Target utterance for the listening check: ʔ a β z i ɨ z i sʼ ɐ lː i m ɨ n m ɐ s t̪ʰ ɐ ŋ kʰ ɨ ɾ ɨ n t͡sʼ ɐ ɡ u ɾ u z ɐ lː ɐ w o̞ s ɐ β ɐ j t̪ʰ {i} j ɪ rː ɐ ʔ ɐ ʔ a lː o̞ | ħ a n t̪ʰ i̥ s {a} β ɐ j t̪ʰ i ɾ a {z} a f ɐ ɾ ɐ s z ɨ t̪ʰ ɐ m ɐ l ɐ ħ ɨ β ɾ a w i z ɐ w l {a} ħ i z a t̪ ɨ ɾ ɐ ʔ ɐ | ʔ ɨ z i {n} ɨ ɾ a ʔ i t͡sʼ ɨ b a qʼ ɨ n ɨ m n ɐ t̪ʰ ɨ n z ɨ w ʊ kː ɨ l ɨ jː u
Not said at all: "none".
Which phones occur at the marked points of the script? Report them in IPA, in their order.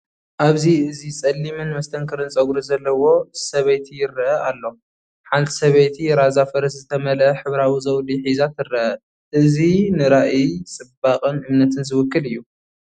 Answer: i, ɐ, z, i, n

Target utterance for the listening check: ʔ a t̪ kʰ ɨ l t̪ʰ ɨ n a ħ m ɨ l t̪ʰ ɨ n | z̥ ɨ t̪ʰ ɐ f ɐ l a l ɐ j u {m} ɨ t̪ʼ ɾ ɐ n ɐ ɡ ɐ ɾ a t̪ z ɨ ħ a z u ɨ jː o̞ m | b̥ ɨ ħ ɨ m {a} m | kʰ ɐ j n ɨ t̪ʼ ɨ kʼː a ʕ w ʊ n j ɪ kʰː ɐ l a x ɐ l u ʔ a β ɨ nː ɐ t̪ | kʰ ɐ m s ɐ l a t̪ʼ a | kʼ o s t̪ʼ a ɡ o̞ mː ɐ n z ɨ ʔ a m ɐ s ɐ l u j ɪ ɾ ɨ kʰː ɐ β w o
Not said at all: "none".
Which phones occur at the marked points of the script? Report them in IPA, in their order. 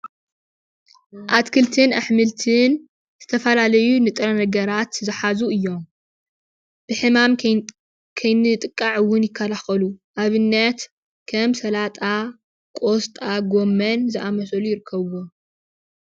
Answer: n, a

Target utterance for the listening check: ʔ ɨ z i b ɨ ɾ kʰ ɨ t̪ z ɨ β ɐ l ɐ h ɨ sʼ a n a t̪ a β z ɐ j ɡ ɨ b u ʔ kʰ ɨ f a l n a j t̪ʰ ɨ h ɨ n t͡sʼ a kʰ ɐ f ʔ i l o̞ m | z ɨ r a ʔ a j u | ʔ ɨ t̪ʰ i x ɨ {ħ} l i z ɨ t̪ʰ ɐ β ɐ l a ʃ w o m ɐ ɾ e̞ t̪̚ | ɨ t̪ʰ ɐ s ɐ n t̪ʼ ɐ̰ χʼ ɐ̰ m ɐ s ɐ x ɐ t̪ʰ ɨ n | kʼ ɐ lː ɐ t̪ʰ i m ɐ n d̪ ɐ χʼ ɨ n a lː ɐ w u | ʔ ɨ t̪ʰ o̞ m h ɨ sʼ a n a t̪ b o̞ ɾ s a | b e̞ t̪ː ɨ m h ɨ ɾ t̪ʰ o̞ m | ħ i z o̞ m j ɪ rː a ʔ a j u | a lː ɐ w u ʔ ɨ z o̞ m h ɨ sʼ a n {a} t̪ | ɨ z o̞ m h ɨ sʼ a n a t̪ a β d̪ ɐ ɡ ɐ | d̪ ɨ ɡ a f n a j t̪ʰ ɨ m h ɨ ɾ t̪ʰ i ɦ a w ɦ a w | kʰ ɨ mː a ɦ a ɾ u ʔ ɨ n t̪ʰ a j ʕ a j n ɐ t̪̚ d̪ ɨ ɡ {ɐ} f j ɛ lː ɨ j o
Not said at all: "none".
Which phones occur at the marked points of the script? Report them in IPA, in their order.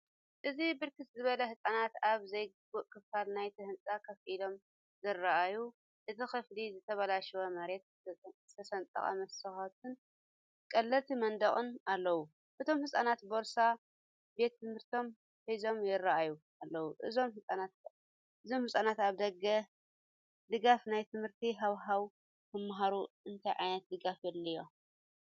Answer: f, a, a

